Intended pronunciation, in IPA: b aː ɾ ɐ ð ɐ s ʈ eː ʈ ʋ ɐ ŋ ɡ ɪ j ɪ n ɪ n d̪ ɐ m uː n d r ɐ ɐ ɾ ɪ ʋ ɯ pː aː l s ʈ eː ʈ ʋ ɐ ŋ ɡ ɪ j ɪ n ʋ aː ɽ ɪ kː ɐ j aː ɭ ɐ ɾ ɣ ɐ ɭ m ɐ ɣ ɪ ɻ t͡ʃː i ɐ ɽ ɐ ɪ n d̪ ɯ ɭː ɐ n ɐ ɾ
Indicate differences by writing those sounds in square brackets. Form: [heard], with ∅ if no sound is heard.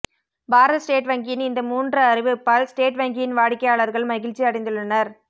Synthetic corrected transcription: b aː ɾ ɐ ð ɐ s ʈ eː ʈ ʋ ɐ ŋ ɡ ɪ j ɪ n ɪ n d̪ ɐ m uː n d r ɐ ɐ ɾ ɪ ʋ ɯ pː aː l s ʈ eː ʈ ʋ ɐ ŋ ɡ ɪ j ɪ n ʋ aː ɽ ɪ kː ɐ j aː ɭ ɐ ɾ ɣ ɐ ɭ m ɐ ɣ ɪ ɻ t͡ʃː i ɐ ɽ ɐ ɪ n d̪ ɯ ɭː ɐ n ɐ ɾ